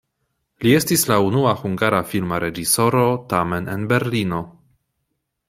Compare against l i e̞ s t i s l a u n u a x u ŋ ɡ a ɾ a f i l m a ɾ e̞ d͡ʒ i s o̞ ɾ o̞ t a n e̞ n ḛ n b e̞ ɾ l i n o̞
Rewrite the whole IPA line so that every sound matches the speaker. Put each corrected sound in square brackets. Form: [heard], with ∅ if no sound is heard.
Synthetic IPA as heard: l i e̞ s t i s l a u n u a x u ŋ ɡ a ɾ a f i l m a ɾ e̞ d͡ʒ i s o̞ ɾ o̞ t a [m] e̞ n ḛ n b e̞ ɾ l i n o̞